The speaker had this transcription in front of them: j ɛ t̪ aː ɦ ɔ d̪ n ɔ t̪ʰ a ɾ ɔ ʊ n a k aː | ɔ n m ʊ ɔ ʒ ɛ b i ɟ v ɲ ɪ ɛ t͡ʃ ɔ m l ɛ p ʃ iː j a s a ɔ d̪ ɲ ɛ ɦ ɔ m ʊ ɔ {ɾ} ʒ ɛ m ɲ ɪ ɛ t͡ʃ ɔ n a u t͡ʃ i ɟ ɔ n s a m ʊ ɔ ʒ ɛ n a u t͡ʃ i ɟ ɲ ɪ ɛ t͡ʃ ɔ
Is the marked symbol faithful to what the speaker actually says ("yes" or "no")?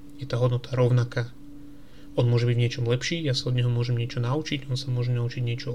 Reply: no